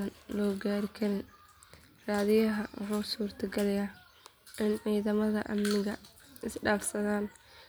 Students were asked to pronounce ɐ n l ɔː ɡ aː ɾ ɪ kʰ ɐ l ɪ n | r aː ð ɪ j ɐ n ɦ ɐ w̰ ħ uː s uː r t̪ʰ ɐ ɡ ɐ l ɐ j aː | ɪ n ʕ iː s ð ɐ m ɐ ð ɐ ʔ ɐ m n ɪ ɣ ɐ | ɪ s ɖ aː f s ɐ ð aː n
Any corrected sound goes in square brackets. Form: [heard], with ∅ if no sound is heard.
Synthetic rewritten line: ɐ n l ɔː ɡ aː ɾ ɪ kʰ ɐ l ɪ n | r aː ð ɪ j ɐ [∅] ɦ ɐ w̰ ħ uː s uː r t̪ʰ ɐ ɡ ɐ l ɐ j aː | ɪ n ʕ iː [∅] ð ɐ m ɐ ð ɐ ʔ ɐ m n ɪ ɣ ɐ | ɪ s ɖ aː f s ɐ ð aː n

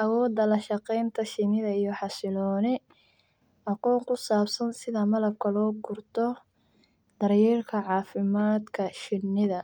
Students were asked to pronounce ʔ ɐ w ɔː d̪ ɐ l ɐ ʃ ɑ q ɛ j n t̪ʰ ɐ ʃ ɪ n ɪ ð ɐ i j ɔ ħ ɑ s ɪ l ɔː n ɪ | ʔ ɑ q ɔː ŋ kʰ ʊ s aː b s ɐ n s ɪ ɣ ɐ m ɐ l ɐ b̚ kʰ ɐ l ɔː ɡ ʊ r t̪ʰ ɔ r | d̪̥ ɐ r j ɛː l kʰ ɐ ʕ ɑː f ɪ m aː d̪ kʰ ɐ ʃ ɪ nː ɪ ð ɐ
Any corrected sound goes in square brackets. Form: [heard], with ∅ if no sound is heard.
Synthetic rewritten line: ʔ ɐ w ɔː d̪ ɐ l ɐ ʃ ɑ q ɛ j n t̪ʰ ɐ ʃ ɪ n ɪ ð ɐ i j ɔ ħ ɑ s ɪ l ɔː n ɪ | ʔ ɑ q ɔː ŋ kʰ ʊ s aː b s ɐ n s ɪ [ð] ɐ m ɐ l ɐ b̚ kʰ ɐ l ɔː ɡ ʊ r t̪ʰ ɔ [∅] | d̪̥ ɐ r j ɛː [r] kʰ ɐ ʕ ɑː f ɪ m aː d̪ kʰ ɐ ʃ ɪ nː ɪ ð ɐ

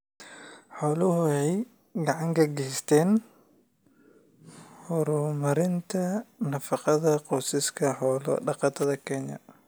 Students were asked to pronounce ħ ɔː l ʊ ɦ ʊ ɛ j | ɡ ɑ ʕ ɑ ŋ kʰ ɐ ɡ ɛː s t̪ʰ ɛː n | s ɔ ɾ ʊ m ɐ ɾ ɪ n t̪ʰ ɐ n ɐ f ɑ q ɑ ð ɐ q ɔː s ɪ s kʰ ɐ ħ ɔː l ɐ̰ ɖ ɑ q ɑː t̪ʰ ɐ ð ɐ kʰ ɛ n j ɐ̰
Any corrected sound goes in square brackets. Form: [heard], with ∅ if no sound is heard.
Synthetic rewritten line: ħ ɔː l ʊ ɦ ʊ ɛ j | ɡ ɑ ʕ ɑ ŋ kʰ ɐ ɡ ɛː s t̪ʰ ɛː n | [h] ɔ ɾ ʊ m ɐ ɾ ɪ n t̪ʰ ɐ n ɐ f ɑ q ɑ ð ɐ q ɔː s ɪ s kʰ ɐ ħ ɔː l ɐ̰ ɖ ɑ q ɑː t̪ʰ ɐ ð ɐ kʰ ɛ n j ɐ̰

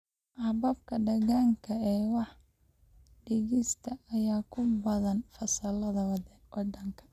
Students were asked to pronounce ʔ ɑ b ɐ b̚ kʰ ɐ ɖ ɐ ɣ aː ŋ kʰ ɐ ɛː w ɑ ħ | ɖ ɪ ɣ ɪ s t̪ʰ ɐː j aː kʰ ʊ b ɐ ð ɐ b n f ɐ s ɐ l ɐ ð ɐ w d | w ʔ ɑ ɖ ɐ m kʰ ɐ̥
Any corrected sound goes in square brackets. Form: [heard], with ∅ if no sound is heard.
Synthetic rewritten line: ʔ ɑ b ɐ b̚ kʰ ɐ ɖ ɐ ɣ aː ŋ kʰ ɐ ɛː w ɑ ħ | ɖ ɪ ɣ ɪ s t̪ʰ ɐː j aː kʰ ʊ b ɐ ð ɐ [∅] n f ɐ s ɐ l ɐ ð ɐ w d | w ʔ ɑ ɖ ɐ [ŋ] kʰ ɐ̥

